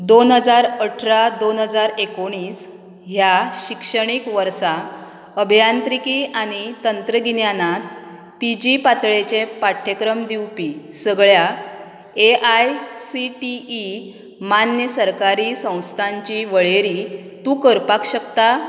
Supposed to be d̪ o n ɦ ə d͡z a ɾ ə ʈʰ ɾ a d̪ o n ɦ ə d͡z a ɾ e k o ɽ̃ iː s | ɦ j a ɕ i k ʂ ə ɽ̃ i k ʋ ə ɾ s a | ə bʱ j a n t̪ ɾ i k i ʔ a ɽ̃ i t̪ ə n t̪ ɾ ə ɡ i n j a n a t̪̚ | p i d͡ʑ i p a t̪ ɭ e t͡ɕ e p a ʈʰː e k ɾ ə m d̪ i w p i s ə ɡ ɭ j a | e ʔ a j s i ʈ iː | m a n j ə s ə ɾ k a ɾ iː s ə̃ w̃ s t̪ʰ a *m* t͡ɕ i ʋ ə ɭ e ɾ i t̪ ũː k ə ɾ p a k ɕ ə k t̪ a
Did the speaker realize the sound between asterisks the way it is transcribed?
no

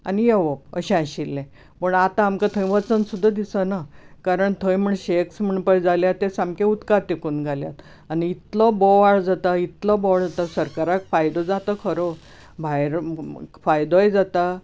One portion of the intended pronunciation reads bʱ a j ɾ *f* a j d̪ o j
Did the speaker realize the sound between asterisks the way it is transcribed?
yes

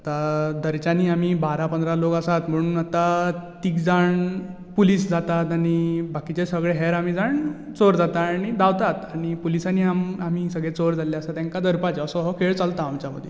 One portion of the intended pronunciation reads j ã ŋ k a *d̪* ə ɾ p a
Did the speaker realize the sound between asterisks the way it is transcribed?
yes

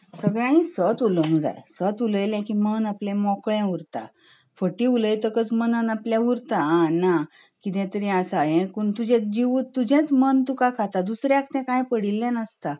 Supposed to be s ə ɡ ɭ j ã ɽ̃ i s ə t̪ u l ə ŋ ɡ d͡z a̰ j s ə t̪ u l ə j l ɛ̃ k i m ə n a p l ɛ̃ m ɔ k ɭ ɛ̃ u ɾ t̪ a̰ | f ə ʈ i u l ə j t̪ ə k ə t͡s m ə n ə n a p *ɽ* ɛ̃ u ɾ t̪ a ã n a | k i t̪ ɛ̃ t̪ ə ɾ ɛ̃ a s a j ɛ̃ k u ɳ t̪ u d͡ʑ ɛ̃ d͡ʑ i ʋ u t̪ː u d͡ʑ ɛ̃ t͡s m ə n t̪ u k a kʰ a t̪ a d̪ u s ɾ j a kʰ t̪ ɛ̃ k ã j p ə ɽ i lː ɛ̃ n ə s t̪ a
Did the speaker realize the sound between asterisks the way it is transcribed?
no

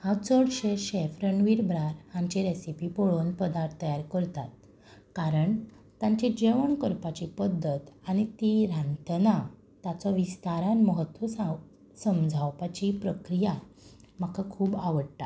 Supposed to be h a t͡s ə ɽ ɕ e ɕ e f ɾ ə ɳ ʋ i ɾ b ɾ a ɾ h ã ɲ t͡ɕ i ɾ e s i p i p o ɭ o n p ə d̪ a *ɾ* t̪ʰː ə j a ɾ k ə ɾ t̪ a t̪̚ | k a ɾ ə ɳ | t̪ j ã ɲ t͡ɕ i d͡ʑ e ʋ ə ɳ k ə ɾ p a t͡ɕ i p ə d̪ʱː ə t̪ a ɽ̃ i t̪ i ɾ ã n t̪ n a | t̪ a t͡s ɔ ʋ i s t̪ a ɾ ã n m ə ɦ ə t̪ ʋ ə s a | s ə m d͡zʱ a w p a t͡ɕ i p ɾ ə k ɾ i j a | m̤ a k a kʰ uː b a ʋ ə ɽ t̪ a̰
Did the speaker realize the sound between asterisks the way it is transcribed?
yes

